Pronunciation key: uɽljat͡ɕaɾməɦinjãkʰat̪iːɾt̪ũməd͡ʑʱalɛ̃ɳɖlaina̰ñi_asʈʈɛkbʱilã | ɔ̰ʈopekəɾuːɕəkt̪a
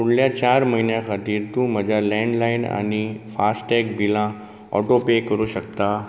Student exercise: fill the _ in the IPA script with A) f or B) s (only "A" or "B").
A